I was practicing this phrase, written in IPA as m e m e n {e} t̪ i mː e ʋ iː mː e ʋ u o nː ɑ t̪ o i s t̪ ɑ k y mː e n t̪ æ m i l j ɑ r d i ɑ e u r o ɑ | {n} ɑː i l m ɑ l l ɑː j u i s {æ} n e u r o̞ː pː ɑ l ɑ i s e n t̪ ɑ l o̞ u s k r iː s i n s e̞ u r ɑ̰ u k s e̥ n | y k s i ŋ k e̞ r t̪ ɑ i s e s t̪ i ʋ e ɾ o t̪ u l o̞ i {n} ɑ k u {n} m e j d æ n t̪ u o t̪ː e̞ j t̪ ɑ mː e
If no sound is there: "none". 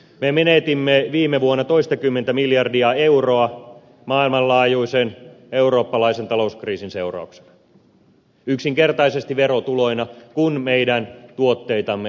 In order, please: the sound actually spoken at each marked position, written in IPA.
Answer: e, m, e, n, n

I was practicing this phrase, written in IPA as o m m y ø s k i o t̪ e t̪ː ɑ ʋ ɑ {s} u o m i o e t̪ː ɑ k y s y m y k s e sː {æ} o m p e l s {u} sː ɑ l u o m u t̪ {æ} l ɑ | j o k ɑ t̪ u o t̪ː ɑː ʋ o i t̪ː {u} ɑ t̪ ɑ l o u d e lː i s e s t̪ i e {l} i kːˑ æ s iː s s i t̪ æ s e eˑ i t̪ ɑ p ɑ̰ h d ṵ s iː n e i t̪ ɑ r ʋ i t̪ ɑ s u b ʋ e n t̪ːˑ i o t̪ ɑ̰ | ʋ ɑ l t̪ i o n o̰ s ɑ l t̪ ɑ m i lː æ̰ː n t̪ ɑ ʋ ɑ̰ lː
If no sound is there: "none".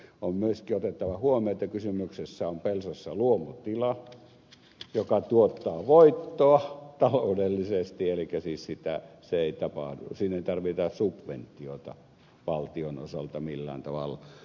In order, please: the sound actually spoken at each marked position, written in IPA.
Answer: h, æ, o, i, o, l

